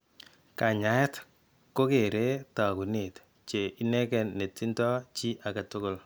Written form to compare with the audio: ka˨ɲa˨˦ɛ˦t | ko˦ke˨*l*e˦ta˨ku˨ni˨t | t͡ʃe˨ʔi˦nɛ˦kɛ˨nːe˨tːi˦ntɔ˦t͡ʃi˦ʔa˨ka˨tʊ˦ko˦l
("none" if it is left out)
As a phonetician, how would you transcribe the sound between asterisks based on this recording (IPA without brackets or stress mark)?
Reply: ɾ